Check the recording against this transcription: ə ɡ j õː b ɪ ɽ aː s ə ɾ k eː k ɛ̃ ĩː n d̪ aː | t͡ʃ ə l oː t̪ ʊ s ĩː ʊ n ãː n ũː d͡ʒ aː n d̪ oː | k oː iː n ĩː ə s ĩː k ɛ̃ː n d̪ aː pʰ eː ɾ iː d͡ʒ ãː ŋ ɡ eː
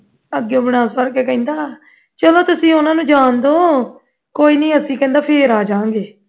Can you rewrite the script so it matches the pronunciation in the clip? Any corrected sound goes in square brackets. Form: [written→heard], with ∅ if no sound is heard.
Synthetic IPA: ə ɡ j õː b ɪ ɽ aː s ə ɾ k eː k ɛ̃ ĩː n d̪ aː | t͡ʃ ə l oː t̪ ʊ s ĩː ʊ n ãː n ũː d͡ʒ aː n d̪ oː | k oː iː n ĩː ə s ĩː k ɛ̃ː n d̪ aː pʰ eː ɾ [iː→aː] d͡ʒ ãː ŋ ɡ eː